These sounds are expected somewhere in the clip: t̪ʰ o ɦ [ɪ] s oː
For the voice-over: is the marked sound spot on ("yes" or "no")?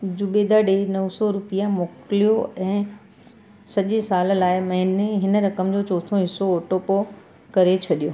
yes